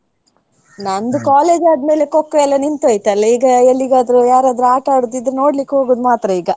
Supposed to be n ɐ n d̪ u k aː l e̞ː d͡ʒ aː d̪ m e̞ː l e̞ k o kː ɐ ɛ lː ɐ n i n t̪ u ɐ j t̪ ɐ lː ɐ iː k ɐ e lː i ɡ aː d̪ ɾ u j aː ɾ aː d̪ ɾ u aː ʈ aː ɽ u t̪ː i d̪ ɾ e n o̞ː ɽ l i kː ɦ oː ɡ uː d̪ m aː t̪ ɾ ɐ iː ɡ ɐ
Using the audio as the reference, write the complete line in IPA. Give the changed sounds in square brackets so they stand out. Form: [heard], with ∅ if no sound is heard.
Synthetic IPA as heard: n ɐ n d̪ u k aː l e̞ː d͡ʒ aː d̪ m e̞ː l e̞ k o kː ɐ ɛ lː ɐ n i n t̪ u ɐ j t̪ ɐ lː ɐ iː [ɡ] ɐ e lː i ɡ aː d̪ ɾ u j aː ɾ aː d̪ ɾ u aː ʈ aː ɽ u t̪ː i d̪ ɾ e n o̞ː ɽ l i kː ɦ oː ɡ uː d̪ m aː t̪ ɾ ɐ iː ɡ ɐ